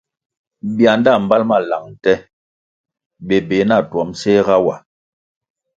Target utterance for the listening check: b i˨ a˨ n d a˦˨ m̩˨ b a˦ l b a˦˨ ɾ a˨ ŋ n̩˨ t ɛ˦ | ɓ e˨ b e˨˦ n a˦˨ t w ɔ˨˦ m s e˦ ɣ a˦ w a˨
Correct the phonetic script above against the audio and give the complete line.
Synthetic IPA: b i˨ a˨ n d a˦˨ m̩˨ b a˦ l m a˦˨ l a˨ ŋ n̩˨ t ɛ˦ | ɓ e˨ b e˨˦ n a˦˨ t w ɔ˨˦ m s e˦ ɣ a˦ w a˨